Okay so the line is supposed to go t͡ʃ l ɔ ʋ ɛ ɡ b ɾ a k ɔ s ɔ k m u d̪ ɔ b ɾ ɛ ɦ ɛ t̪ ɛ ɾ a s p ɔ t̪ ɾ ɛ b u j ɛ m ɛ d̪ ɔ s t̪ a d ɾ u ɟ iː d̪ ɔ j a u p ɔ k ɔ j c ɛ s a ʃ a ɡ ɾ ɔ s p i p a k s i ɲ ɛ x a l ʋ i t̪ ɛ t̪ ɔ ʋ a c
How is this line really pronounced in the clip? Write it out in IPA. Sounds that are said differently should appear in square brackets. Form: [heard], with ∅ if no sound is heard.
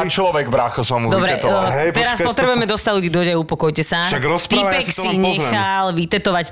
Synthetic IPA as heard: t͡ʃ l ɔ ʋ ɛ ɡ b ɾ a [x] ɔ s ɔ [∅] m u d̪ ɔ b ɾ ɛ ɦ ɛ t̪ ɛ ɾ a s p ɔ t̪ ɾ ɛ b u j ɛ m ɛ d̪ ɔ s t̪ a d [l] u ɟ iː d̪ ɔ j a u p ɔ k ɔ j c ɛ s a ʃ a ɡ ɾ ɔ s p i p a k s i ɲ ɛ x a l ʋ i t̪ ɛ t̪ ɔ ʋ a c